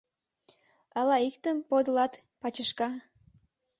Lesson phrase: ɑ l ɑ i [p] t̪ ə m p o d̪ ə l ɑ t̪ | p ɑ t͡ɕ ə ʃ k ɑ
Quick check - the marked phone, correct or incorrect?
incorrect